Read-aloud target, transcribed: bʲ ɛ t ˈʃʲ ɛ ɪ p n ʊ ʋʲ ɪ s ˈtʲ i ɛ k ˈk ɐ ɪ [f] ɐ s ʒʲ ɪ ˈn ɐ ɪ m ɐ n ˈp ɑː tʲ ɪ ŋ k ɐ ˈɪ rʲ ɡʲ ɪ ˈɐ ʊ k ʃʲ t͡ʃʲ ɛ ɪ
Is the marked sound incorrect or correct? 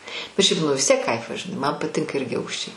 correct